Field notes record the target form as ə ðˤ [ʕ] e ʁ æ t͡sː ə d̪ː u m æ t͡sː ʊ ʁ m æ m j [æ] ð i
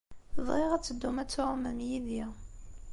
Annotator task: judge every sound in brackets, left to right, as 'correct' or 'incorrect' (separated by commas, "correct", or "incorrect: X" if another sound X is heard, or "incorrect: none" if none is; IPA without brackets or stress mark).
incorrect: ʁ, incorrect: i